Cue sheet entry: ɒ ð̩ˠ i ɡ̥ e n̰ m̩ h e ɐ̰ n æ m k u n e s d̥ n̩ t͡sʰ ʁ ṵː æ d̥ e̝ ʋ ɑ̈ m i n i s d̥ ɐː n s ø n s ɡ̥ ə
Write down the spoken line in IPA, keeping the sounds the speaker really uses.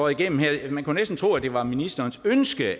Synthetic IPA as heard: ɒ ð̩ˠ i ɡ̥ e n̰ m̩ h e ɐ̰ m æ n k u n e s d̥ n̩ t͡sʰ ʁ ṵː æ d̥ e̝ ʋ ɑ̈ m i n i s d̥ ɐː n s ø n s ɡ̥ ə

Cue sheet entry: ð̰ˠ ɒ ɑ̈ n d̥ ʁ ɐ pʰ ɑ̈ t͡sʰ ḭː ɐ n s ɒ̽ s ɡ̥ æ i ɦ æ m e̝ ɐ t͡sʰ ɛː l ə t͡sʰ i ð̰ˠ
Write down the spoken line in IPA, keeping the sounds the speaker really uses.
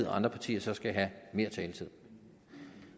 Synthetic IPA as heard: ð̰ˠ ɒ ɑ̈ n d̥ ʁ ɐ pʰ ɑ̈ t͡sʰ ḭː ɐ s ɒ̽ s ɡ̥ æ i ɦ æ m e̝ ɐ t͡sʰ ɛː l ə t͡sʰ i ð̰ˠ

